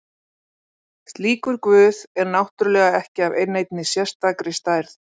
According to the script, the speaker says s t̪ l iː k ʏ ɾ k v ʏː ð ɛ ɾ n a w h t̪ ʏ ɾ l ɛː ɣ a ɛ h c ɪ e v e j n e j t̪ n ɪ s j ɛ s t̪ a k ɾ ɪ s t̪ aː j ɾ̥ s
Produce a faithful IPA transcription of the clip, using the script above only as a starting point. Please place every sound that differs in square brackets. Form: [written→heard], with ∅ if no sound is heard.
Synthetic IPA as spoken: s t̪ l iː k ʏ ɾ k v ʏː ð ɛ ɾ n a w h t̪ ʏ ɾ l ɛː ɣ a ɛ h c ɪ [e→a] v e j n e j t̪ n ɪ s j ɛ s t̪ a k ɾ ɪ s t̪ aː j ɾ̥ [s→θ]